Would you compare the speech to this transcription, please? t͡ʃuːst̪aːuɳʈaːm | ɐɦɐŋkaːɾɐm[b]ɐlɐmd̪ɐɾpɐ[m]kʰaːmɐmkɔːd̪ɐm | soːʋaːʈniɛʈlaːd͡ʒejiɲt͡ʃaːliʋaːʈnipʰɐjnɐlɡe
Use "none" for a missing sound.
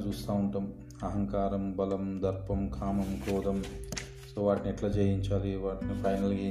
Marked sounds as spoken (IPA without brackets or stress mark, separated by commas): b, m